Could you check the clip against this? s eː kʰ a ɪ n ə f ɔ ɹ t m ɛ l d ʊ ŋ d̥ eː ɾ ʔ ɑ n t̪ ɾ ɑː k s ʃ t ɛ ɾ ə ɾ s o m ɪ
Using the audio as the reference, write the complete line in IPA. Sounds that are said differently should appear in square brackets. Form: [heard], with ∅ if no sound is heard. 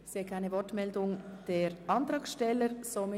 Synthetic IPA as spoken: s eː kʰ a ɪ n ə [v] ɔ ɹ t m ɛ l d ʊ ŋ d̥ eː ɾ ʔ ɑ n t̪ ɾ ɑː k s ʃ t ɛ [l] ə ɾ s o m ɪ